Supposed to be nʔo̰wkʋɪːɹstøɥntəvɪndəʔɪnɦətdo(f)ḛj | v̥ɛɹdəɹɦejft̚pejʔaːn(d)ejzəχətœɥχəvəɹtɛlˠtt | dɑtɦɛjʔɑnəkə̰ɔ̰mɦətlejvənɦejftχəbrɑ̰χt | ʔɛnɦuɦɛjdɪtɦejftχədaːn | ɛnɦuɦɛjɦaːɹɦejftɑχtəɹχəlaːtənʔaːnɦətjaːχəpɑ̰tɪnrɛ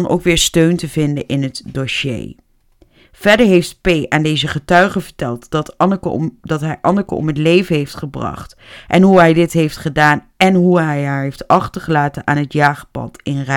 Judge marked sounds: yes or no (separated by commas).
no, yes